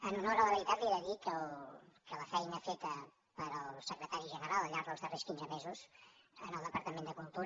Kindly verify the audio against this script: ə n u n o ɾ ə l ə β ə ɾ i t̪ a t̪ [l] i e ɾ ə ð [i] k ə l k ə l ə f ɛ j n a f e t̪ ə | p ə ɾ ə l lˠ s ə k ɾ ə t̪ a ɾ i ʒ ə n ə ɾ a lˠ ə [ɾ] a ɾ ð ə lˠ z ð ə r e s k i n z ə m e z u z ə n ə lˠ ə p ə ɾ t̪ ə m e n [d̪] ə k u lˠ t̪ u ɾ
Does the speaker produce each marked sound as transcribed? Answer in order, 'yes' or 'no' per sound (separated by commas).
yes, yes, no, yes